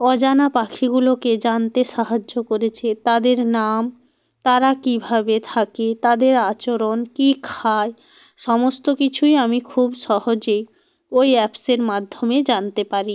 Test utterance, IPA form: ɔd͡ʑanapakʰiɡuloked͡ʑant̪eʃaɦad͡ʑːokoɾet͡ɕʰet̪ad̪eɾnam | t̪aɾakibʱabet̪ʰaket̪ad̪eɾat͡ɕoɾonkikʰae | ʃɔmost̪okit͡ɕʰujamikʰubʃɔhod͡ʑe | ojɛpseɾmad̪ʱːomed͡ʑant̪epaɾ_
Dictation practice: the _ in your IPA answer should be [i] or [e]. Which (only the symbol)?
i